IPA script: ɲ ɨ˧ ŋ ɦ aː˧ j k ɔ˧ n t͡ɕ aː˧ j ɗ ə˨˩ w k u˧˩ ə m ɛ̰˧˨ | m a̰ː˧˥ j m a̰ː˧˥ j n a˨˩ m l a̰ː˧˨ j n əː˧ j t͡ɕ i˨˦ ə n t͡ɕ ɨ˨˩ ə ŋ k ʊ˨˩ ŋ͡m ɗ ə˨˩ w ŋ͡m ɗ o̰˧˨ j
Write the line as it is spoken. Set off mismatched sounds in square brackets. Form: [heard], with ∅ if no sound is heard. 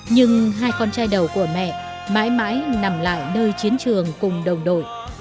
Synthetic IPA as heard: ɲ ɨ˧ ŋ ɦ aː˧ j k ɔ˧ n t͡ɕ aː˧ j ɗ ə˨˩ w k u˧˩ ə m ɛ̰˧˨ | m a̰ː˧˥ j m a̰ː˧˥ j n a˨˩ m l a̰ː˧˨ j n əː˧ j t͡ɕ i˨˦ ə n t͡ɕ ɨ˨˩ ə ŋ k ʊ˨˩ ŋ͡m ɗ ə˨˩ w ŋ͡m ɗ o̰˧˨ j